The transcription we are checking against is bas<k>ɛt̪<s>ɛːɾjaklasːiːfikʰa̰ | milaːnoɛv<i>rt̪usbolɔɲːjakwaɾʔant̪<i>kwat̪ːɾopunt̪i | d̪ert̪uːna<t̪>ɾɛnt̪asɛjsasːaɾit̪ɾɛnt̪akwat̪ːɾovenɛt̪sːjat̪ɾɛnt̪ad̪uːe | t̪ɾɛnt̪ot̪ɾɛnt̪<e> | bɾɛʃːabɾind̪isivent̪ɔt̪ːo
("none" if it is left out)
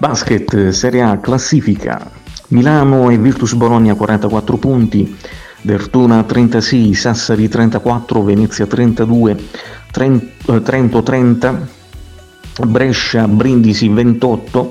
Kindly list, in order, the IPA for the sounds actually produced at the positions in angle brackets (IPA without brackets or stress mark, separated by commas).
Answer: k, s, i, a, t̪, a